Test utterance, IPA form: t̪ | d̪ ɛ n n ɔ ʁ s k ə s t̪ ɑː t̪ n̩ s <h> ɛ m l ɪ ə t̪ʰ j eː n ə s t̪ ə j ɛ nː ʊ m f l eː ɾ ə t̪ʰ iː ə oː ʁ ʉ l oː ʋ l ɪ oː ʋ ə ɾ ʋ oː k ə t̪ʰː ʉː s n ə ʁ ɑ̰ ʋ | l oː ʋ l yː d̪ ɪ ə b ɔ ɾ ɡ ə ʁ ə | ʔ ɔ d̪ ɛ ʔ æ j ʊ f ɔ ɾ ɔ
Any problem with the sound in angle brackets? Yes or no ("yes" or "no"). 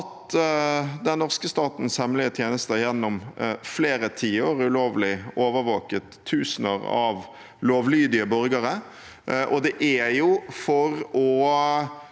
no